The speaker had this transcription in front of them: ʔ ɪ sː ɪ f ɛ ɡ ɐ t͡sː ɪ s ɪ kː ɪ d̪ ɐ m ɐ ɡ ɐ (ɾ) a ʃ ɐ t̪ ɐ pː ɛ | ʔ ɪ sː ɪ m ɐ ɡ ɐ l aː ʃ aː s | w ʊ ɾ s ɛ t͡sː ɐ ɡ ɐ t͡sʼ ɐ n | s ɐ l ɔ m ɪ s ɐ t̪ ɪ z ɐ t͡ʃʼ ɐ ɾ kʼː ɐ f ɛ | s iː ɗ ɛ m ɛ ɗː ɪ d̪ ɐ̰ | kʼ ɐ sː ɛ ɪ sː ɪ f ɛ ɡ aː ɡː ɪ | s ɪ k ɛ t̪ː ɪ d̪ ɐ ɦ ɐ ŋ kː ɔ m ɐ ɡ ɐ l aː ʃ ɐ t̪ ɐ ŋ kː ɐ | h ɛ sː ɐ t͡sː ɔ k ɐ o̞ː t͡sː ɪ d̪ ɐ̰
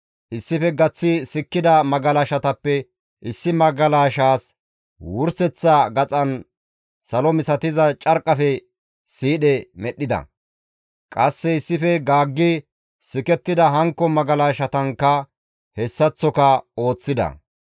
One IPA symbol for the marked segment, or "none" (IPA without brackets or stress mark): l